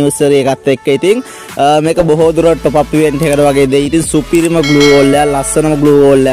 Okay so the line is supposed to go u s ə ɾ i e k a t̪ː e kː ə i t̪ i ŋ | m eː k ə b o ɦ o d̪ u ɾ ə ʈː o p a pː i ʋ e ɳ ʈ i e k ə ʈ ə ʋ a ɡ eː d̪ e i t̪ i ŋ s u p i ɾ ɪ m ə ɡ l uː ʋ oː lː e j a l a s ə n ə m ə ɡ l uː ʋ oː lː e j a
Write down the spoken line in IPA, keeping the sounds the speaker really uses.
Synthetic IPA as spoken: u s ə ɾ i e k a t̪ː e kː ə i t̪ i ŋ | m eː k ə b o ɦ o d̪ u ɾ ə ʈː o p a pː i ʋ e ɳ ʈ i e k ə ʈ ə ʋ a ɡ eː d̪ e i t̪ i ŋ s u p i ɾ i m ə ɡ l uː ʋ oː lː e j a l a s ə n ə m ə ɡ l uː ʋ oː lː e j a